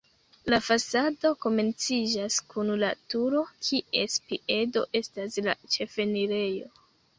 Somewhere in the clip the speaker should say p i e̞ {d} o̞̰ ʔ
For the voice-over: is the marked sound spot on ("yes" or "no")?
yes